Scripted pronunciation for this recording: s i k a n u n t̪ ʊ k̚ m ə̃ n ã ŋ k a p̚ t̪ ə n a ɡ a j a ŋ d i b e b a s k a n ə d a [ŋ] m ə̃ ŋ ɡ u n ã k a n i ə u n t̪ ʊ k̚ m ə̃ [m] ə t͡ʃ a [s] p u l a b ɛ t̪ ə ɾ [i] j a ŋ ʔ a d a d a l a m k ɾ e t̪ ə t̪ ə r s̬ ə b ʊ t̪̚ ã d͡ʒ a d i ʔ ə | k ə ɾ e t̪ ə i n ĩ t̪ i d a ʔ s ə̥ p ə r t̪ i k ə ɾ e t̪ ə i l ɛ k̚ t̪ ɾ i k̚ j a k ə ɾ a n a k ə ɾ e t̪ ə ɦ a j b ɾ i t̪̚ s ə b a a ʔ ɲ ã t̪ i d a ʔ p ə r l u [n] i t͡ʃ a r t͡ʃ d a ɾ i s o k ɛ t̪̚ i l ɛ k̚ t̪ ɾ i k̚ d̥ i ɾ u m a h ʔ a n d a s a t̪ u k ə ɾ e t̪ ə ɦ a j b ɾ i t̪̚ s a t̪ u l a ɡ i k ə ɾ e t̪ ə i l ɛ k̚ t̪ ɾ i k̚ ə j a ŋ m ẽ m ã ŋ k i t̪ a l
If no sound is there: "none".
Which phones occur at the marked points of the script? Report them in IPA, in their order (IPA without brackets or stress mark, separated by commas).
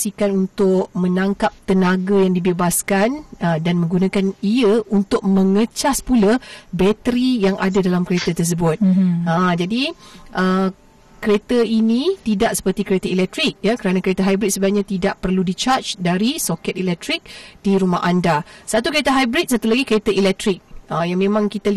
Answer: n, ŋ, s, i, d